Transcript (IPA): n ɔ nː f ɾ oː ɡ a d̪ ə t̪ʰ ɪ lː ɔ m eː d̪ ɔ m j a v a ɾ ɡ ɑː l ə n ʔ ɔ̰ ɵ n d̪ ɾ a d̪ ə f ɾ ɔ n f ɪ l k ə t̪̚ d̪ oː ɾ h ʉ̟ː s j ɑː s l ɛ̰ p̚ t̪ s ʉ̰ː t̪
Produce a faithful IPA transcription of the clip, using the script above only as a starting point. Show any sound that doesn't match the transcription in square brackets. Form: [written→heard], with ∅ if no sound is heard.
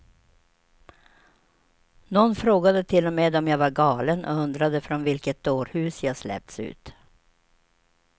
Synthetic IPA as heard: n ɔ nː f ɾ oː ɡ a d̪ ə t̪ʰ ɪ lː ɔ m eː d̪ ɔ m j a v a ɾ ɡ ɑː l ə n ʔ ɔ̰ ɵ n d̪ ɾ a d̪ ə f ɾ ɔ n [f→v] ɪ l k ə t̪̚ d̪ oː ɾ h ʉ̟ː s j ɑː s l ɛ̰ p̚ t̪ s ʉ̰ː t̪